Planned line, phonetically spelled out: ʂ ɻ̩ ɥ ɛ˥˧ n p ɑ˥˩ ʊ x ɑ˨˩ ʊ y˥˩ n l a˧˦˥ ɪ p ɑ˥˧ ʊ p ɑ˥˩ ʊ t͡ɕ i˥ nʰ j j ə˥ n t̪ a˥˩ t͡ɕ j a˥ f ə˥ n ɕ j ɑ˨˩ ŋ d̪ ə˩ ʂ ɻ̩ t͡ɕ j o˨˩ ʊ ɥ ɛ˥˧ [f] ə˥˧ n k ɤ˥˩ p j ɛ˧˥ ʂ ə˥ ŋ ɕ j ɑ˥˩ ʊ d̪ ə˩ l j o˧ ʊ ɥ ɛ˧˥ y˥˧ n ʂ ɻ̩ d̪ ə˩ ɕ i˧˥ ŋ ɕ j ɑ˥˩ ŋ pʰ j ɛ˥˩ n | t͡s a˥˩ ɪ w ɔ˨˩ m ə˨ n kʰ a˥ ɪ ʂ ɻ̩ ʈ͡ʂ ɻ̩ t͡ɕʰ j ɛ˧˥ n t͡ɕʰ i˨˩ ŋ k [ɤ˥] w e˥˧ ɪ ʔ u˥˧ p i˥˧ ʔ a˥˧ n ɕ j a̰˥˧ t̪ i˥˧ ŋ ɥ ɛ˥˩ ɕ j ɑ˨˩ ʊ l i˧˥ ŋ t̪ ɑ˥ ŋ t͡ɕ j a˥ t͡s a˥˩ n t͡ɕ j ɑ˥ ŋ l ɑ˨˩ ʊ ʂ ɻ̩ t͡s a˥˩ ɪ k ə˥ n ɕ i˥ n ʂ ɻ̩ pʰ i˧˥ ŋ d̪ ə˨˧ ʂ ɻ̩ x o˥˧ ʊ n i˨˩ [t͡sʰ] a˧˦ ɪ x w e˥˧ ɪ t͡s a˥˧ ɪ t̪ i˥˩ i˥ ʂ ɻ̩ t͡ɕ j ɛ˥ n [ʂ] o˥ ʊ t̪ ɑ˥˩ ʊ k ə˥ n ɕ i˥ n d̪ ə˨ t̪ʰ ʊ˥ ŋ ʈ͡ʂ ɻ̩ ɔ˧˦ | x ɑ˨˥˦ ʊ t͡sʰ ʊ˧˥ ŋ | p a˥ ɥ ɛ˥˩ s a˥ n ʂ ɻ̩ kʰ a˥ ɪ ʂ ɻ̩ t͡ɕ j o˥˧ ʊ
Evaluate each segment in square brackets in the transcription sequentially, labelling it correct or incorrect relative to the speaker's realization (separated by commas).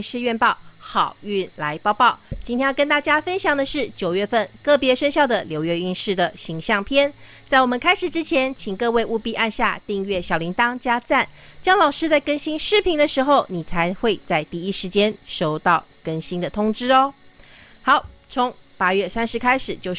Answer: correct, incorrect, correct, correct